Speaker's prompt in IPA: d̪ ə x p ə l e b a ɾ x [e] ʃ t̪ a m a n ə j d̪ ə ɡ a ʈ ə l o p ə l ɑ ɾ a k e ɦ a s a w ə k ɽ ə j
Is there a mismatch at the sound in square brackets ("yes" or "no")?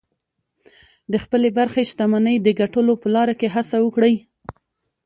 no